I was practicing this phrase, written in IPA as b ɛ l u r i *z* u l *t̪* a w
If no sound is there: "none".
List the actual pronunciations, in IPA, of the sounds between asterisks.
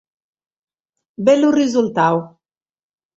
z, t̪

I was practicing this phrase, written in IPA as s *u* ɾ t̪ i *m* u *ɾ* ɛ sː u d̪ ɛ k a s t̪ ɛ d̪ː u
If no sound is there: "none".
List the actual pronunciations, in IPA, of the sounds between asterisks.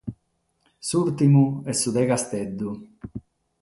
u, m, none

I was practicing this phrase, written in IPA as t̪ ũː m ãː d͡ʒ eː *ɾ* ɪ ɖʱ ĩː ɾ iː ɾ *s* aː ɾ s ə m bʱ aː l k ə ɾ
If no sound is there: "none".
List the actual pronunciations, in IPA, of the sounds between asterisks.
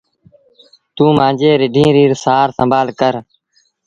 ɾ, s

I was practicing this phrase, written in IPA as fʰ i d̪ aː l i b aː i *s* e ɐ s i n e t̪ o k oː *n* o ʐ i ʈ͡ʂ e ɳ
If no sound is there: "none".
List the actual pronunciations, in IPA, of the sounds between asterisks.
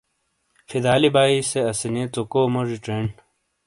s, m

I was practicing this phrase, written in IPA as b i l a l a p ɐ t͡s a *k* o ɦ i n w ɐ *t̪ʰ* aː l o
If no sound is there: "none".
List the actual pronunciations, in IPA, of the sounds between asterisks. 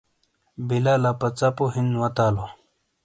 p, t̪

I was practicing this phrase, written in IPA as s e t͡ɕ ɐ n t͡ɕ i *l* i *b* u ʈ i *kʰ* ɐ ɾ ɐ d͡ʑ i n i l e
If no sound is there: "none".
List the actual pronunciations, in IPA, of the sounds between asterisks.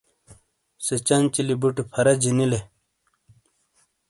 l, b, pʰ

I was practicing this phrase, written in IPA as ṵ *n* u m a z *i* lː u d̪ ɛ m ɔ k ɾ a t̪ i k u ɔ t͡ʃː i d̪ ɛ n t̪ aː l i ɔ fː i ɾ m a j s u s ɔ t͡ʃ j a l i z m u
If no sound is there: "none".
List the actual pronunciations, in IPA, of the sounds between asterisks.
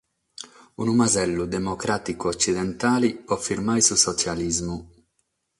n, ɛ

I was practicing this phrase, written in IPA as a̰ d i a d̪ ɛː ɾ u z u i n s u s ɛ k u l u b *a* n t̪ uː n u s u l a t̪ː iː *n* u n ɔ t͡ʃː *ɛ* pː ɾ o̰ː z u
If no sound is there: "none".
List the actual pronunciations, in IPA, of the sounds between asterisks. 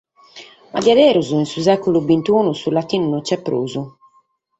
i, n, ɛ

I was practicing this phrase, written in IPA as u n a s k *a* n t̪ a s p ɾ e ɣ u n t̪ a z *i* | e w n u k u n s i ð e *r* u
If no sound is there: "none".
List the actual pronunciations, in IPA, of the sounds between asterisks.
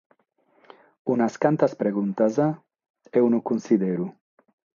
a, a, ɾ

